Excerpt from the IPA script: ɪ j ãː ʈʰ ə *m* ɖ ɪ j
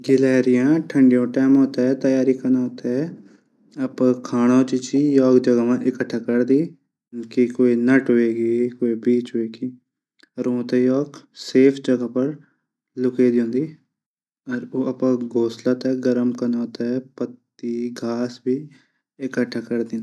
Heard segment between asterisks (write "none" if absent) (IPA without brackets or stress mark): ɳ